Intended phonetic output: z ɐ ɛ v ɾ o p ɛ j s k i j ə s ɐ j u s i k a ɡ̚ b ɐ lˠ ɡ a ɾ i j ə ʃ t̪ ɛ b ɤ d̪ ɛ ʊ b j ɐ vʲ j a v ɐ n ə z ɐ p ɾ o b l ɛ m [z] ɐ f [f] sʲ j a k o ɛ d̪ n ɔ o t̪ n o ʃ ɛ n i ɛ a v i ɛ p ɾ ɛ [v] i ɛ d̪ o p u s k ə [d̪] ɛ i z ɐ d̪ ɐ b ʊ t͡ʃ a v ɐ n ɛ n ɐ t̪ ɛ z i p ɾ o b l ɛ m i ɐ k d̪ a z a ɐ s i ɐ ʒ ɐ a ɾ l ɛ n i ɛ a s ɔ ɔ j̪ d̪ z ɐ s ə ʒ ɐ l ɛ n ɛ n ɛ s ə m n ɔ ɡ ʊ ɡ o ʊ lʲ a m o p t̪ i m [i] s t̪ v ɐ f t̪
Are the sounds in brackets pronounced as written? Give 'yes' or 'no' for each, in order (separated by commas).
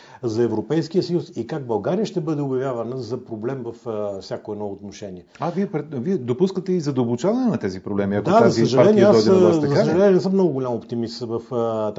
no, yes, yes, no, yes